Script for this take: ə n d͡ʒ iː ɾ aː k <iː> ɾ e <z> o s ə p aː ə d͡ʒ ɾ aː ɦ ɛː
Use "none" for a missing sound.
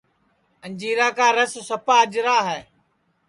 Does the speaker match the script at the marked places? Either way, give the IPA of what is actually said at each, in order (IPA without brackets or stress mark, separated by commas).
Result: aː, s